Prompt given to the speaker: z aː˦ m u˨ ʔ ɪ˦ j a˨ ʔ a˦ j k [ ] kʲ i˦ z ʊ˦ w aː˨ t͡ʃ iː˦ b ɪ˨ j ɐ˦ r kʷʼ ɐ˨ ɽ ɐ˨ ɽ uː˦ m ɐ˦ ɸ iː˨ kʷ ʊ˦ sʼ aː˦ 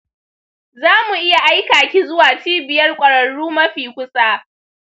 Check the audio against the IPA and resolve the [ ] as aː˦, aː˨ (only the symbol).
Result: aː˨